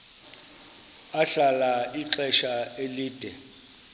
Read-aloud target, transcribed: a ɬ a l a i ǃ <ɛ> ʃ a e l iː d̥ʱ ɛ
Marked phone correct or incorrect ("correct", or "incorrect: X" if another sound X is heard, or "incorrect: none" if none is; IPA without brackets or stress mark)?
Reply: correct